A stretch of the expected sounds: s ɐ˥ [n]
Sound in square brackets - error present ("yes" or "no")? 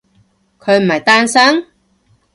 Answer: yes